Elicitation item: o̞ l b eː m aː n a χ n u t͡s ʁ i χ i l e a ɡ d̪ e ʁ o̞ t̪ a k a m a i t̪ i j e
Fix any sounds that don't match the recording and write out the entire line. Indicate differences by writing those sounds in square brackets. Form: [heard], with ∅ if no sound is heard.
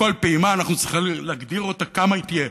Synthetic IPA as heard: o̞ l [p] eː m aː n a χ n u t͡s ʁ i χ i l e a ɡ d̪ [i] ʁ o̞ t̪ a k a m a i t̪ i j e

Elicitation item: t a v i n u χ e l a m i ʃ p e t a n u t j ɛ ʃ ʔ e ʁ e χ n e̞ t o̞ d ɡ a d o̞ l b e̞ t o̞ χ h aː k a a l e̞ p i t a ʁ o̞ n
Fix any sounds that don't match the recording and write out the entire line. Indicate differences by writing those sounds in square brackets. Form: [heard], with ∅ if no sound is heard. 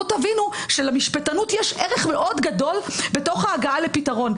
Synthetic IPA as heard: t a v i n u [ʃ] e l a m i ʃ p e t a n u t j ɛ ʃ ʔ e ʁ e χ [m] e̞ [ʔ] o̞ d ɡ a d o̞ l b e̞ t o̞ χ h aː [ɡ] a a l e̞ p i t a ʁ o̞ n

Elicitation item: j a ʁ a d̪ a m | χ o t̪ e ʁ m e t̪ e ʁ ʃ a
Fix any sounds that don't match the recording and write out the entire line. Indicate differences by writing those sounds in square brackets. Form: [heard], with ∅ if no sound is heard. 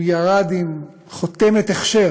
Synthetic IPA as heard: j a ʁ a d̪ [i] m | χ o t̪ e [∅] m e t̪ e [χ] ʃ [e]

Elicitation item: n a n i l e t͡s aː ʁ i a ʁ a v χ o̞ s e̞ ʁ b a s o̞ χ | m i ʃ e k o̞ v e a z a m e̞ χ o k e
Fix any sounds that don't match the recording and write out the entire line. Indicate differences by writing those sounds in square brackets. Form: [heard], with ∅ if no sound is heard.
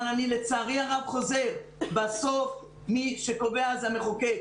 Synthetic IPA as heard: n a n i l e t͡s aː ʁ i a ʁ a v χ o̞ [z] e̞ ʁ b a s o̞ [f] | m i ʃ e k o̞ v e a z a m e̞ χ o k e

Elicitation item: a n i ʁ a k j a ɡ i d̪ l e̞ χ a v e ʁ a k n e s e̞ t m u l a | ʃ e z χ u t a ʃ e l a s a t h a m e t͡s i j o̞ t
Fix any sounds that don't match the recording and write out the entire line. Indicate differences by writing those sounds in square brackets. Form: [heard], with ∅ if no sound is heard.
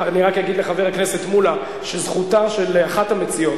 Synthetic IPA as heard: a n i ʁ a k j a ɡ i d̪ l e̞ χ a v e ʁ a k n e s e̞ t m u l a | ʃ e z χ u t a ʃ e l a [χ] a t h a m e t͡s i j o̞ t

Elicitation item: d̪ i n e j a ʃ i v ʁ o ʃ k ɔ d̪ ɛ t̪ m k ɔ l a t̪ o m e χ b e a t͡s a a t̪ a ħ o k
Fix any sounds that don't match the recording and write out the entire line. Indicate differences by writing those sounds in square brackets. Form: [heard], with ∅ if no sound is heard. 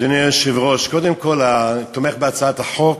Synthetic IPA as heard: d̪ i n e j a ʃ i v ʁ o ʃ k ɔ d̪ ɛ [∅] m k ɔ l a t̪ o m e χ b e a t͡s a a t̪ a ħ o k

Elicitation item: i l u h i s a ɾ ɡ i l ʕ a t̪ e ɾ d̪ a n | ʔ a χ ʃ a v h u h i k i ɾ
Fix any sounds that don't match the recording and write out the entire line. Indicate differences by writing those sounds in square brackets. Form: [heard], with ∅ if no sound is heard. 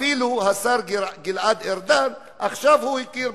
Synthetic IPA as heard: i l u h [a] s a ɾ ɡ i l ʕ a [d̪] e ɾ d̪ a n | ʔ a χ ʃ a v h u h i k i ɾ

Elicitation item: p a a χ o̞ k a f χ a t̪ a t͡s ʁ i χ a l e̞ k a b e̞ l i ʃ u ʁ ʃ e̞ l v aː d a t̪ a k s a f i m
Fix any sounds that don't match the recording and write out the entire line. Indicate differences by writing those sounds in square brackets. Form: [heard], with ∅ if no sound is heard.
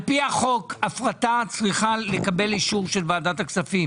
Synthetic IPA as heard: p [i] a χ o̞ k a f [ʁ] a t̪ a t͡s ʁ i χ a l e̞ k a b e̞ l i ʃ u ʁ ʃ e̞ l v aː d a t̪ a k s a f i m

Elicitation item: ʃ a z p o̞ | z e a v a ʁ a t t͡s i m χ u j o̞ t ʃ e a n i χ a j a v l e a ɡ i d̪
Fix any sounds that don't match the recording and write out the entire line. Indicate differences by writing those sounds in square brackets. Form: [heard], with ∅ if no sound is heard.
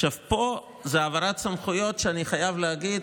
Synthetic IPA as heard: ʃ a [v] p o̞ | z e a v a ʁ a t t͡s [a] m χ u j o̞ t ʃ e a n i χ a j a v l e a ɡ i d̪

